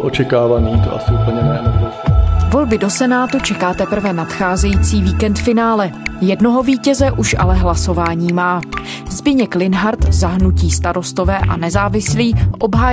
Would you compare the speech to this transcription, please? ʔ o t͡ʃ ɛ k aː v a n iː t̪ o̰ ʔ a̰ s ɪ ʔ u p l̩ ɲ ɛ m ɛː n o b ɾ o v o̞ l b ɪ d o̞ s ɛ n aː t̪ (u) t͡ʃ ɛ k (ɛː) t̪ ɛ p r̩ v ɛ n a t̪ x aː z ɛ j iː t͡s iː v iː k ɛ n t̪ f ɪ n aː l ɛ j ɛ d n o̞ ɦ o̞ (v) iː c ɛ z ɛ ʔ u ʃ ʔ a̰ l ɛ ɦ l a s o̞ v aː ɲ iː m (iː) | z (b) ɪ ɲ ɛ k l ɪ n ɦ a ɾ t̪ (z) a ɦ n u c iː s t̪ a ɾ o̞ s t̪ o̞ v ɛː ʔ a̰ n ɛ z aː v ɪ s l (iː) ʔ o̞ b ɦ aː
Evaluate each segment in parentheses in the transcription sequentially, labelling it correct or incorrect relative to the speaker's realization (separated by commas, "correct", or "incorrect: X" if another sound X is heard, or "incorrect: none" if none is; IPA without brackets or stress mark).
correct, incorrect: aː, correct, incorrect: aː, correct, correct, correct